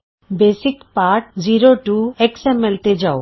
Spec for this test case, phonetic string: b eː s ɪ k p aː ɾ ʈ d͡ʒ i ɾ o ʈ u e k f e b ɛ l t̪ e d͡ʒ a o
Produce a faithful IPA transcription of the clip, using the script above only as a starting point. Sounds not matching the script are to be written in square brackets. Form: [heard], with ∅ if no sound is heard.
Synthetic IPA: b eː s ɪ k p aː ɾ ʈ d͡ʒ i ɾ o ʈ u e k [s] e [m] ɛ l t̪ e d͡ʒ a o